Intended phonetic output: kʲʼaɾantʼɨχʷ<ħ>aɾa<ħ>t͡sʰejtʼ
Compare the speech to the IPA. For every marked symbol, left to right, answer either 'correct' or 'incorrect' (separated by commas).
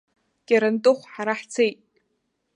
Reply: correct, correct